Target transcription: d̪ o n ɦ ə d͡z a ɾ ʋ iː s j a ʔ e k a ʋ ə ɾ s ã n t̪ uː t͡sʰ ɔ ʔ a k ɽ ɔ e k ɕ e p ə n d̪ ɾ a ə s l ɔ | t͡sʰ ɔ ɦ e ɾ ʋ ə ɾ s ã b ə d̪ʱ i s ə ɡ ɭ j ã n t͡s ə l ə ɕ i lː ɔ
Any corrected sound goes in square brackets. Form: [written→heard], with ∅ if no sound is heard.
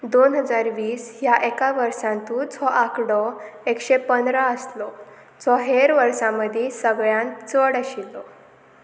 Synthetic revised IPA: d̪ o n ɦ ə d͡z a ɾ ʋ iː s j a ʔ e k a ʋ ə ɾ s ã n t̪ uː t͡sʰ ɔ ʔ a k ɽ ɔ e k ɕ e p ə n d̪ ɾ a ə s l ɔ | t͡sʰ ɔ ɦ e ɾ ʋ ə ɾ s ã [b→m] ə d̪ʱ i s ə ɡ ɭ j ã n t͡s ə [l→ɽ] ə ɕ i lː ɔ